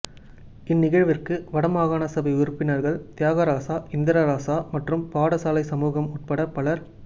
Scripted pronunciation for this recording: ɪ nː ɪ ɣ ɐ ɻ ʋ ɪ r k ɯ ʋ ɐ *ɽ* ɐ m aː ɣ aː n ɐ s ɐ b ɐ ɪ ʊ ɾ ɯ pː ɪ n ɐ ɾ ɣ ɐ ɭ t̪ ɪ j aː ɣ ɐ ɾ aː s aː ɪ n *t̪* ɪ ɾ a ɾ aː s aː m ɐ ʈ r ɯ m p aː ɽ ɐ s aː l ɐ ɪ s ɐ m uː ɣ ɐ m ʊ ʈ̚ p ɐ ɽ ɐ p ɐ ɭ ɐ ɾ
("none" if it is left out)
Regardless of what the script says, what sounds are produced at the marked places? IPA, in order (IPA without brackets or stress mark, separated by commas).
ɽ, d̪